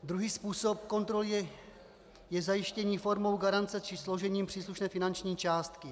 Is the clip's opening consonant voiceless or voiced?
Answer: voiced